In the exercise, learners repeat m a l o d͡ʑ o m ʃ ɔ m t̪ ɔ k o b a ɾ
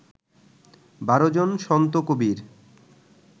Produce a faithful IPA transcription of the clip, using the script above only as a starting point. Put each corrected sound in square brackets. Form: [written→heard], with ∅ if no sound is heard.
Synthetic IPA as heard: [m→b] a [l→ɾ] o d͡ʑ o [m→n] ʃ ɔ [m→n] t̪ [ɔ→o] k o b [a→i] ɾ